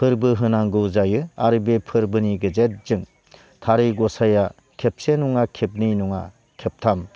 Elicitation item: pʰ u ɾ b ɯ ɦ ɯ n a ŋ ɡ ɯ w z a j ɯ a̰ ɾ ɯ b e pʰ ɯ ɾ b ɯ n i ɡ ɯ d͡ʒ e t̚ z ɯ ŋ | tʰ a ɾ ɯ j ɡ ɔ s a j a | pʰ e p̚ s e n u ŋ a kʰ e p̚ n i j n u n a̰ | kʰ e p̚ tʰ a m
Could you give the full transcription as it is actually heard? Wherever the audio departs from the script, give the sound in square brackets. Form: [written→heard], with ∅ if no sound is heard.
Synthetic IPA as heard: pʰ [u→ɯ] ɾ b ɯ ɦ ɯ n a ŋ ɡ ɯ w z a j ɯ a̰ ɾ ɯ b e pʰ ɯ ɾ b ɯ n i ɡ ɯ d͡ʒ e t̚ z ɯ ŋ | tʰ a ɾ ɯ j ɡ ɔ s a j a | [pʰ→kʰ] e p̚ s e n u ŋ a kʰ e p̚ n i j n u [n→ŋ] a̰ | kʰ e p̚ tʰ a m